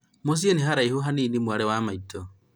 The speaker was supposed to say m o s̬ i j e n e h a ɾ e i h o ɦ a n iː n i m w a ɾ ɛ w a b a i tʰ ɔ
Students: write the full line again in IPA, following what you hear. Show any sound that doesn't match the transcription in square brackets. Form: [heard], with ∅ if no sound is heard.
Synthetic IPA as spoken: m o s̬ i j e n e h a ɾ [a] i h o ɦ a n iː n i m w a ɾ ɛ w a [m] a i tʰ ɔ